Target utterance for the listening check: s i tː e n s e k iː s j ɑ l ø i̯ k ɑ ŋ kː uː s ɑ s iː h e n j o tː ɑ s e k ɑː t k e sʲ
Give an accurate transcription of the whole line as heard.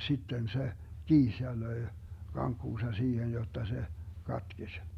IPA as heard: s i tː e n s e k iː s j ɑ l ø i̯ k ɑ ŋ kː uː s ɑ s iː h e n j o tː ɑ s e k ɑ t k e sʲ